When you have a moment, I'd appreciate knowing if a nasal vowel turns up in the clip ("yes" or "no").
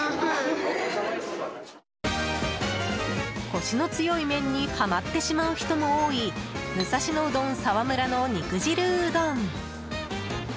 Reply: yes